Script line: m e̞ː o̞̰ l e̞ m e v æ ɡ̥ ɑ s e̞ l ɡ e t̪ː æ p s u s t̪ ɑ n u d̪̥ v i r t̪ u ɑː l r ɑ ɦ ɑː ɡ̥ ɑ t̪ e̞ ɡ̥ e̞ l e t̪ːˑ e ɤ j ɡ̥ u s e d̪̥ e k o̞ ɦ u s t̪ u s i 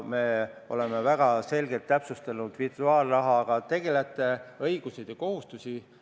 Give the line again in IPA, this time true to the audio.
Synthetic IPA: m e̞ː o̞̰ l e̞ m e v æ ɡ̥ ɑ s e̞ l ɡ e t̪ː æ p s u s t̪ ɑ n u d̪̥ v i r t̪ u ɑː l r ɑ ɦ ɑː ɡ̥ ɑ t̪ e̞ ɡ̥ e̞ l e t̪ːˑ e ɤ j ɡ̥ u s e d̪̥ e k o̞ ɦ u s t̪ u s i